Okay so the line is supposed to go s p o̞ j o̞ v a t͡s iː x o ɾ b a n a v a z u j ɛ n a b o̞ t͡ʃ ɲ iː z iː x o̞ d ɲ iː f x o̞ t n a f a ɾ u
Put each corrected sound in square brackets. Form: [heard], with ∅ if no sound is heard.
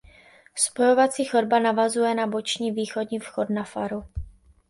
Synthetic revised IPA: s p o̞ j o̞ v a t͡s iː x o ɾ b a n a v a z u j ɛ n a b o̞ t͡ʃ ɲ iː [v] iː x o̞ d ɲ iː f x o̞ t n a f a ɾ u